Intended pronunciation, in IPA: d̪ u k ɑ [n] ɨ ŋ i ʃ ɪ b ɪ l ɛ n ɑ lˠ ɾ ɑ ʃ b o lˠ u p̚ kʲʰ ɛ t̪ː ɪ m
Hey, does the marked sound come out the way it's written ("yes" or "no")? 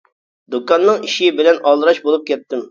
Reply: no